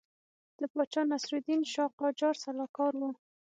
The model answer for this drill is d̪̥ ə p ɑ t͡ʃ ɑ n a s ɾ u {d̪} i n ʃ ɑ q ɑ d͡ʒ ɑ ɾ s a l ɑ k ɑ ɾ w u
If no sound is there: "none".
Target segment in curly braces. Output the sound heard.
d̪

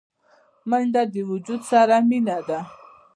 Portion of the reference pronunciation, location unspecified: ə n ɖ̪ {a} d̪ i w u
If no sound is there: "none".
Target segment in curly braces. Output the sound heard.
a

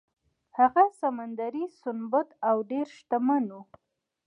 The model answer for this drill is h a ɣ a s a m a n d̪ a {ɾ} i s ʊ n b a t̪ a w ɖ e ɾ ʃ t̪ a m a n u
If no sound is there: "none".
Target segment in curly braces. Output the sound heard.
ɾ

